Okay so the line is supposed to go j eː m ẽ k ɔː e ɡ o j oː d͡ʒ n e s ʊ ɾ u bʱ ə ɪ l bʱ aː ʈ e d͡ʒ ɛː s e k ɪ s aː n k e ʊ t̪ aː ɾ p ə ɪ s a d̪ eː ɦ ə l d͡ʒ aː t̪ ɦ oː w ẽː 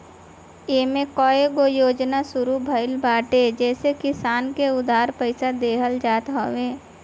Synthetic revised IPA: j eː m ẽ k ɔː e ɡ o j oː d͡ʒ n a s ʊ ɾ u bʱ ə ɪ l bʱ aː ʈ e d͡ʒ ɛː s e k ɪ s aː n k e ʊ d̪ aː ɾ p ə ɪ s a d̪ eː ɦ ə l d͡ʒ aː t̪ ɦ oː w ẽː